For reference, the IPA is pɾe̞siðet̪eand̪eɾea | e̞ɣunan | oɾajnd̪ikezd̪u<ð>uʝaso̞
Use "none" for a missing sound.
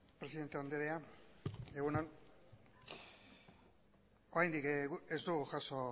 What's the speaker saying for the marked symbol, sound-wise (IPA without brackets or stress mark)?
ɣ